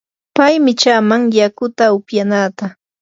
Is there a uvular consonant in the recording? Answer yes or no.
no